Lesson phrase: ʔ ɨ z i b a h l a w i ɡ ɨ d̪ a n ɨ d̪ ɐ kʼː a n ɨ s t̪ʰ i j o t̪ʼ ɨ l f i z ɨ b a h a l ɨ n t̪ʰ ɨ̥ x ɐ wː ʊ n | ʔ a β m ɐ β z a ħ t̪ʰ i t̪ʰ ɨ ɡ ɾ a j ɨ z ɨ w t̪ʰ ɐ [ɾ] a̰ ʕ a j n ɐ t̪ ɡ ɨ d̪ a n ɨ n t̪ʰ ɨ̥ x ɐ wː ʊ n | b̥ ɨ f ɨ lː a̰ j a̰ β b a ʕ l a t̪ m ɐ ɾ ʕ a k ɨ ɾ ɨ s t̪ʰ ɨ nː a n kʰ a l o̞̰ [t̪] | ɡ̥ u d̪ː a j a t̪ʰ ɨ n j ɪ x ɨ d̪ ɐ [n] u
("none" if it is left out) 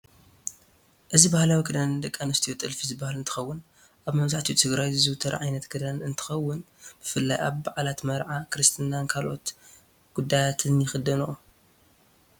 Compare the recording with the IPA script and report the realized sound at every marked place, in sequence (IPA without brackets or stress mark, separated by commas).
ɾ, t̪, n